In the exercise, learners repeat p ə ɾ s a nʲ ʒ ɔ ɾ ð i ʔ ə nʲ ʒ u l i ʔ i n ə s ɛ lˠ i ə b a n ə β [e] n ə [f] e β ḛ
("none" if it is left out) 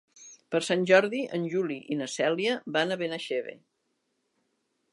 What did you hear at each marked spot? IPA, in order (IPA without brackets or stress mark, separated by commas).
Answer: e, ʃ